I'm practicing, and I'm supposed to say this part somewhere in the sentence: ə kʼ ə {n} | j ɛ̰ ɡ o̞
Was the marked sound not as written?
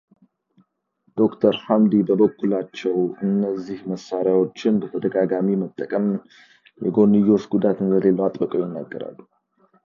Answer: yes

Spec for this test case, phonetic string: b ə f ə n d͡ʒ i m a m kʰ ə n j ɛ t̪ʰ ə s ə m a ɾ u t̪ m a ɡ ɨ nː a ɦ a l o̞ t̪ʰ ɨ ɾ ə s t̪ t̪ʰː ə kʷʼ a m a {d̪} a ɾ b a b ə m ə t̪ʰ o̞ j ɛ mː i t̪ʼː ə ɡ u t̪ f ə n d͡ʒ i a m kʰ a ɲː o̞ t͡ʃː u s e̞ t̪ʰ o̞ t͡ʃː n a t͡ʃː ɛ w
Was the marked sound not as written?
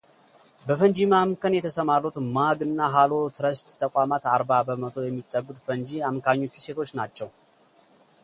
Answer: yes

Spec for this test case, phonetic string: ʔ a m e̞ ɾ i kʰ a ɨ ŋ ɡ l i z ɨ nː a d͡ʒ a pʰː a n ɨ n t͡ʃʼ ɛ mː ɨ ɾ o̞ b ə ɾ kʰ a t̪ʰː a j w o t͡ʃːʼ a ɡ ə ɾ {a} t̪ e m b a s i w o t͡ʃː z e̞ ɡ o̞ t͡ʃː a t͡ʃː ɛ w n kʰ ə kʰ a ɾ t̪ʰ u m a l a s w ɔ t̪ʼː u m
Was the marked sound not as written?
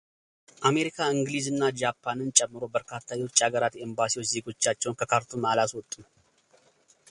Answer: no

